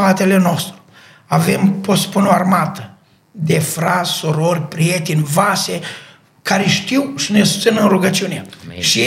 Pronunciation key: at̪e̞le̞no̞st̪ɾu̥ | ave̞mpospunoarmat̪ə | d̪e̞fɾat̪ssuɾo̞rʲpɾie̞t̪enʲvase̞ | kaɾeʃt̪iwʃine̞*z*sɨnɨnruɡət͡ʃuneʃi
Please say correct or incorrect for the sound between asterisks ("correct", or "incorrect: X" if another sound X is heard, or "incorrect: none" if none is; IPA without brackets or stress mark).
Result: incorrect: s